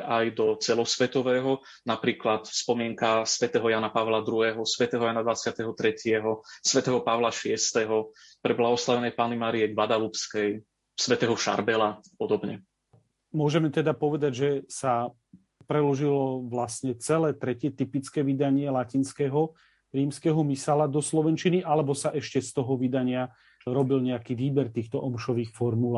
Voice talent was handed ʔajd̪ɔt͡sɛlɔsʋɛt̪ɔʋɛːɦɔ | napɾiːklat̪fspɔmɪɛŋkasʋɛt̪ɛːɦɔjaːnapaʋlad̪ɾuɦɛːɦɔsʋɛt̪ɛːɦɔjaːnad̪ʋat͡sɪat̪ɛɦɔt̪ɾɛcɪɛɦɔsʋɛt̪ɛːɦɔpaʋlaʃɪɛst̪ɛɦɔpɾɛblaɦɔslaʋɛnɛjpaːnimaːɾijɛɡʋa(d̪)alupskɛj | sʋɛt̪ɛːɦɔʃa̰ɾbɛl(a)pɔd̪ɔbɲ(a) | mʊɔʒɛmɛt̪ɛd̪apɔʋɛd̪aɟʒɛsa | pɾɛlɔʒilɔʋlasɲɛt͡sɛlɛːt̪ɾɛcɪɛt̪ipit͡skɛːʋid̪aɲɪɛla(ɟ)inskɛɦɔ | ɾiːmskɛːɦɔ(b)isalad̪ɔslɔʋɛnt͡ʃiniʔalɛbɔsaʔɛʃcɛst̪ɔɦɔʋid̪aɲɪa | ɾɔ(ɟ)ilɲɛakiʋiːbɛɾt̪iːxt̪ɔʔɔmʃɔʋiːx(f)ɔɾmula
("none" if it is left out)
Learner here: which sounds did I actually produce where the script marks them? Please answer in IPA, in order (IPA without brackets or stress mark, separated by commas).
d̪, a, ɛ, c, m, b, f